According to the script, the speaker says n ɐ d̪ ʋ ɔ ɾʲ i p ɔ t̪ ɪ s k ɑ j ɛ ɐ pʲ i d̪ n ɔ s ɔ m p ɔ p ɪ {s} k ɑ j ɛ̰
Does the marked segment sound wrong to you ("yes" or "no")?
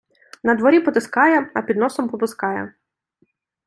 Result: no